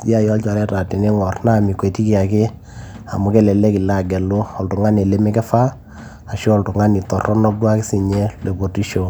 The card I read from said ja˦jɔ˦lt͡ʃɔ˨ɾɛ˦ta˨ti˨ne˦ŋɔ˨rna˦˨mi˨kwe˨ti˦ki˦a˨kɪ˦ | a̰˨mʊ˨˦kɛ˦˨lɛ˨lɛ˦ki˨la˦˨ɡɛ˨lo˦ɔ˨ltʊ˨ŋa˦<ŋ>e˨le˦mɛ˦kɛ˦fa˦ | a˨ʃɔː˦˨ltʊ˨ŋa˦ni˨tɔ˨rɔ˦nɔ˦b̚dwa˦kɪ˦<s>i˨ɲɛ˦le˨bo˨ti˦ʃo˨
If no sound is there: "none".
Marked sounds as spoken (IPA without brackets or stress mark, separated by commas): n, s